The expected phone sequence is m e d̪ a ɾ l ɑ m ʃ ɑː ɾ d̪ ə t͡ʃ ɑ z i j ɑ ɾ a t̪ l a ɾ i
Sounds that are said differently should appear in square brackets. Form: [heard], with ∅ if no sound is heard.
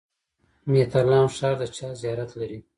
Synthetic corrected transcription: m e [t̪] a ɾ l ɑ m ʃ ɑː ɾ d̪ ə t͡ʃ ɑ z i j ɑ ɾ a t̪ l a ɾ i